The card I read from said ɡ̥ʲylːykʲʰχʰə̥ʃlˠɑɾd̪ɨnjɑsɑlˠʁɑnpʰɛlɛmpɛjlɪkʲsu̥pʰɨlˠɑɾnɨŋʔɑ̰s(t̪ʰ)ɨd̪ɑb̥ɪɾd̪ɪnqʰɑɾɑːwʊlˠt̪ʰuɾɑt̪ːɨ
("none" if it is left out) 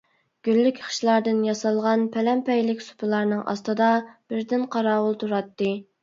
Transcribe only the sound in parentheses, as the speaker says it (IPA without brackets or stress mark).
t̪